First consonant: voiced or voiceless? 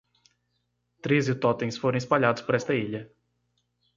voiceless